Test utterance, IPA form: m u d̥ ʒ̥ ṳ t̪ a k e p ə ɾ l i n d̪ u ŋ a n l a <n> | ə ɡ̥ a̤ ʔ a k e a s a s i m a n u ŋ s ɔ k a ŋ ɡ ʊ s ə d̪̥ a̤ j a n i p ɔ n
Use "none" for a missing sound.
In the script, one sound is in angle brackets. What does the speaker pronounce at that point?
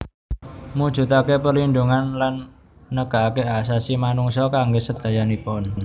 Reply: nː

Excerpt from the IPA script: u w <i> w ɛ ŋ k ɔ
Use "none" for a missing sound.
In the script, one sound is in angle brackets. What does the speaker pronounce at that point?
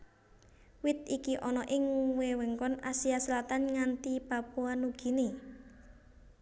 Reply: e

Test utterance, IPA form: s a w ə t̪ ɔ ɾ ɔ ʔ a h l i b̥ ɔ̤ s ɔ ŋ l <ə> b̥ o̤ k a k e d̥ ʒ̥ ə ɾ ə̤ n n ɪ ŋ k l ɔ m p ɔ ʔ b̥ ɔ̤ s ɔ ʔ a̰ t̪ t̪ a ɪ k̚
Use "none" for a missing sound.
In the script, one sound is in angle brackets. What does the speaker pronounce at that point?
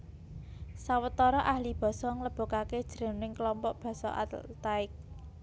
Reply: ə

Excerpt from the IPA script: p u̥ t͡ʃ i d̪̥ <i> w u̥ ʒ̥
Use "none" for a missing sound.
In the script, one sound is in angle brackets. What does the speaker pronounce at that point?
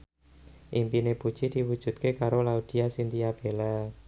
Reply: i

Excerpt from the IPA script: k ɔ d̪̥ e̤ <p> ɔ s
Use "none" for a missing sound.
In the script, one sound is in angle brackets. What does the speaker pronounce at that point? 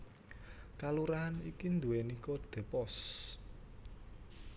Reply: p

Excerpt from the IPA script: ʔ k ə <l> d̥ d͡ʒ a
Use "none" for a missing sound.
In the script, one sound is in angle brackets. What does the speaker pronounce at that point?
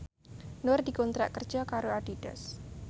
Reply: r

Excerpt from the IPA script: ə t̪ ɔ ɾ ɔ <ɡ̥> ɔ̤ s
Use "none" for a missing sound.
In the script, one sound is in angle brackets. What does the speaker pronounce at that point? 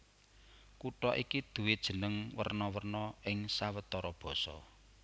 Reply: b̥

